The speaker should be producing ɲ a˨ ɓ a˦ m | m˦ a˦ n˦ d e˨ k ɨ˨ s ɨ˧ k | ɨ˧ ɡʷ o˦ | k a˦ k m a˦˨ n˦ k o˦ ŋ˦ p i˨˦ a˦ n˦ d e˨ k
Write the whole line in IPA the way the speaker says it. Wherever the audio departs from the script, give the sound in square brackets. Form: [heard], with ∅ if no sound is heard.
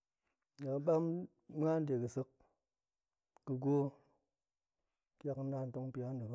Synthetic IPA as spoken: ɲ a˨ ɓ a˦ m | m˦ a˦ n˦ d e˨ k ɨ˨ s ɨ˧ k | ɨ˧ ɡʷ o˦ | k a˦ k [n] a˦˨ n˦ [t] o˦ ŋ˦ p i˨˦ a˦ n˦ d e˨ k

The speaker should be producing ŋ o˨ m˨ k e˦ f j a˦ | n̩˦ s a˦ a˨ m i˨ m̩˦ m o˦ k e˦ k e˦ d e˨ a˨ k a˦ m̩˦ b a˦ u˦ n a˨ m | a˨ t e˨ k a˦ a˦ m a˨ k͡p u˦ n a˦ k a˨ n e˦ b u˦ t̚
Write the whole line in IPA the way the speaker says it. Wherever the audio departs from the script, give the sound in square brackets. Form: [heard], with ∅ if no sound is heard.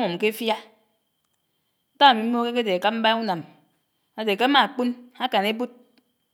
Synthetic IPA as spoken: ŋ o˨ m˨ k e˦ f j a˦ | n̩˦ [t] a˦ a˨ m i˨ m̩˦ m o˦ k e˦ k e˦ d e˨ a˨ k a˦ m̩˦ b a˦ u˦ n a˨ m | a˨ [d] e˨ k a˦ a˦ m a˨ k͡p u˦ n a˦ k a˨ n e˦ b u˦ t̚

